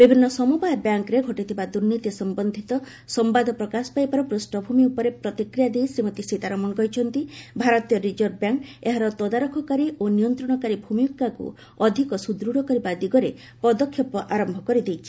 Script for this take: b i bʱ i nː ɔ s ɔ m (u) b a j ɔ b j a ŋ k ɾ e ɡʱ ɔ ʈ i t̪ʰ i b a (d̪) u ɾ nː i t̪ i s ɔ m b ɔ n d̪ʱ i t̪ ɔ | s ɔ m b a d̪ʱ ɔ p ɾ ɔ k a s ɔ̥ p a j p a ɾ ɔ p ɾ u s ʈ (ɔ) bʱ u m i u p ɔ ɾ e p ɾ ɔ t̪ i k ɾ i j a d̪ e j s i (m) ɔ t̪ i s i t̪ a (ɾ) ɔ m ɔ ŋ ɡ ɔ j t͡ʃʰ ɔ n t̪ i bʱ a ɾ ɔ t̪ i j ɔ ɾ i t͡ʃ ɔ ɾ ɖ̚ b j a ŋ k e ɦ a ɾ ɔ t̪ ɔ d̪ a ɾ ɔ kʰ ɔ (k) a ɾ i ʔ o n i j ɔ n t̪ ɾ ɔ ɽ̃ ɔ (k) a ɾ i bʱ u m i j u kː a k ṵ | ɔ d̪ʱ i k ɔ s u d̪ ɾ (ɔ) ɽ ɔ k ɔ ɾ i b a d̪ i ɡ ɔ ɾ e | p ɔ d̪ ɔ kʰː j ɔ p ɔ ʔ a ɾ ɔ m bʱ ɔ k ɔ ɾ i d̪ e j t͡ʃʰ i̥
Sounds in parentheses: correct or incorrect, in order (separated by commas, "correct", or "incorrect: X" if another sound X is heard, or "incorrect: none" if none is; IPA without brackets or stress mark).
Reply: correct, correct, correct, correct, correct, correct, correct, incorrect: u